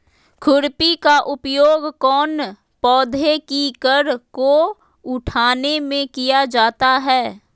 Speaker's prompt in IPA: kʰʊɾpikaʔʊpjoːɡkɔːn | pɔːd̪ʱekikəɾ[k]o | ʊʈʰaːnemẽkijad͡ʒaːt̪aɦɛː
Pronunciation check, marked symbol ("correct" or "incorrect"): correct